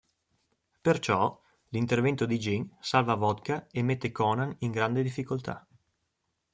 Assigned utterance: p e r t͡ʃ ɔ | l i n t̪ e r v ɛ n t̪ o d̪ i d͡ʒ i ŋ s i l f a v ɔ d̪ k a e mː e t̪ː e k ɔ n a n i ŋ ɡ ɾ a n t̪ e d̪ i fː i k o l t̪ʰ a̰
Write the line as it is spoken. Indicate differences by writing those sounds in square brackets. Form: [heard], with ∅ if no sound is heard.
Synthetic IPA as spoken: p e r t͡ʃ ɔ | l i n t̪ e r v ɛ n t̪ o d̪ i d͡ʒ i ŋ s [a] l [v] a v ɔ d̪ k a e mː e t̪ː e k ɔ n a n i ŋ ɡ ɾ a n [d̪] e d̪ i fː i k o l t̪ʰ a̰

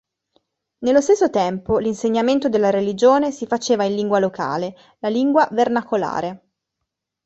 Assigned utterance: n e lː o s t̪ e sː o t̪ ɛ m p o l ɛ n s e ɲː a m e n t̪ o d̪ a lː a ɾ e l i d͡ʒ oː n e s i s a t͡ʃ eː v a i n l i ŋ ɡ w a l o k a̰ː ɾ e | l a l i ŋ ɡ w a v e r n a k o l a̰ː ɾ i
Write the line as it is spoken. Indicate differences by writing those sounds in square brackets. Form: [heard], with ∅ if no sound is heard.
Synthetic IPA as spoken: n e lː o s t̪ e sː o t̪ ɛ m p o l [i] n s e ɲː a m e n t̪ o d̪ [e] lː a ɾ e l i d͡ʒ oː n e s i [f] a t͡ʃ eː v a i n l i ŋ ɡ w a l o k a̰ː [l] e | l a l i ŋ ɡ w a v e r n a k o l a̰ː ɾ [e]

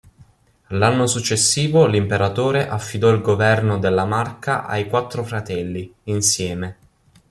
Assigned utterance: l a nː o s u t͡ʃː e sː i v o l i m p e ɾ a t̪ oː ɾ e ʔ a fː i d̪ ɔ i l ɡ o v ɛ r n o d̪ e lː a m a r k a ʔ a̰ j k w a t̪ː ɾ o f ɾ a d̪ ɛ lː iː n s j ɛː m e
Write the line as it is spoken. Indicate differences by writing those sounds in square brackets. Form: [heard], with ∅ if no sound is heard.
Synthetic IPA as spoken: l a nː o s u t͡ʃː e sː [iː] v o l i m p e ɾ a t̪ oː ɾ e ʔ a fː i d̪ ɔ i l ɡ o v ɛ r n o d̪ e lː a m a r k a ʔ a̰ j k w a t̪ː ɾ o f ɾ a [t̪] ɛ lː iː n s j ɛː m e

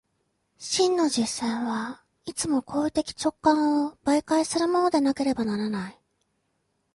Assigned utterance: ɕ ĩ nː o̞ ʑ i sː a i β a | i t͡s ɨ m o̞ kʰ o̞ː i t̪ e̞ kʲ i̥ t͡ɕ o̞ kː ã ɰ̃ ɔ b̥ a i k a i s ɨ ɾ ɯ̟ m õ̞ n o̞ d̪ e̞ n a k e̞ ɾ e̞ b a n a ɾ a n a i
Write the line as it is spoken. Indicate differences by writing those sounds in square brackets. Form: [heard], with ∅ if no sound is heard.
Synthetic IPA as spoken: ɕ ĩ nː o̞ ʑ i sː a i β a | i t͡s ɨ m o̞ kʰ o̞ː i t̪ e̞ kʲ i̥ t͡ɕ o̞ kː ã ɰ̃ [o] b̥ a i k a i s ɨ ɾ ɯ̟ m [o̞] n o̞ d̪ e̞ n a k e̞ ɾ e̞ b a n a ɾ a n a i

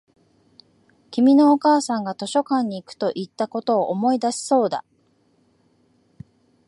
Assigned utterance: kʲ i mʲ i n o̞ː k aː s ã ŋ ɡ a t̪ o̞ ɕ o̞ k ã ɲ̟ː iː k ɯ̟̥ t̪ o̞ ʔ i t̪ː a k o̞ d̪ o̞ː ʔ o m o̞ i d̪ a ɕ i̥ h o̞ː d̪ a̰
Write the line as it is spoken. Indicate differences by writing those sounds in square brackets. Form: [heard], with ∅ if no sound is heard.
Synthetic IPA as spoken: kʲ i mʲ i n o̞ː k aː s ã ŋ ɡ a t̪ o̞ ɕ o̞ k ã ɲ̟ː iː k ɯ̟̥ t̪ o̞ ʔ i t̪ː a k o̞ [t̪] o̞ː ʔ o m o̞ i d̪ a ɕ i̥ [s] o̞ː d̪ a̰

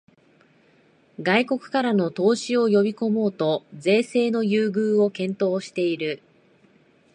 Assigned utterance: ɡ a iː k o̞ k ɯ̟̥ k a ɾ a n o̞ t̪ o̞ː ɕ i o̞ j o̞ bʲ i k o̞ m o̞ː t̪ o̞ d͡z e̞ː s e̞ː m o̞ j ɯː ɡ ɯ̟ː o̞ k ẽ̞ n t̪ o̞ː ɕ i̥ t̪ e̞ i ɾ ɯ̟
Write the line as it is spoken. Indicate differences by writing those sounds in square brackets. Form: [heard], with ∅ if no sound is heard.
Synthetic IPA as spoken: ɡ a [i] k o̞ k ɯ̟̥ k a ɾ a n o̞ t̪ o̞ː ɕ i o̞ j o̞ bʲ i k o̞ m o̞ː t̪ o̞ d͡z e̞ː s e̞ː [n] o̞ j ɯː ɡ ɯ̟ː o̞ k ẽ̞ n t̪ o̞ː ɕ i̥ t̪ e̞ i ɾ ɯ̟

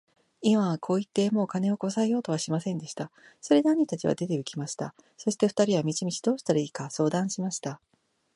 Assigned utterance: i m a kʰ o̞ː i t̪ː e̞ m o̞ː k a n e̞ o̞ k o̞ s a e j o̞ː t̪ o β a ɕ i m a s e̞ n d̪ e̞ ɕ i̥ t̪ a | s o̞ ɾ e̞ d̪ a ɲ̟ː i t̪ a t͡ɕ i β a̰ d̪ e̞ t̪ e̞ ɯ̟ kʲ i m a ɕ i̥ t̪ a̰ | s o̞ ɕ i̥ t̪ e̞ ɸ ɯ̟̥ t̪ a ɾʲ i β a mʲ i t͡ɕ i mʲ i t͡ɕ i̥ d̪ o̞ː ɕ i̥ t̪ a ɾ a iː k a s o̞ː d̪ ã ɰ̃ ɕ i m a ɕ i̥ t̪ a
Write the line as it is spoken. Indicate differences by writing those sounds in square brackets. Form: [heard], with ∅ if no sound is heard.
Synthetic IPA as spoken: i m a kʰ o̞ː i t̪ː e̞ m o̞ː k a n e̞ o̞ k o̞ s a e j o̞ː t̪ o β a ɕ i m a s [ẽ̞] n d̪ e̞ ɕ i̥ t̪ a | s o̞ ɾ e̞ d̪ a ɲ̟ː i t̪ a t͡ɕ i β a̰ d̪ e̞ t̪ e̞ ɯ̟ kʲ i m a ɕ i̥ t̪ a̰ | s o̞ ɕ i̥ t̪ e̞ ɸ ɯ̟̥ t̪ a ɾʲ i β a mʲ i t͡ɕ i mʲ i t͡ɕ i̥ d̪ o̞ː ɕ i̥ t̪ a ɾ a iː k a s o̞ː d̪ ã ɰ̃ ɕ i m a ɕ i̥ t̪ a

